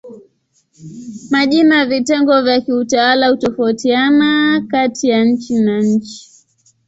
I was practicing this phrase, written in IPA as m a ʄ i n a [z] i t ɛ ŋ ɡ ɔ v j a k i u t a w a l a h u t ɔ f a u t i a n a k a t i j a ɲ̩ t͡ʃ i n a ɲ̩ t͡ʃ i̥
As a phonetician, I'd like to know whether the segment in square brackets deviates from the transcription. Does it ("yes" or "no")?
yes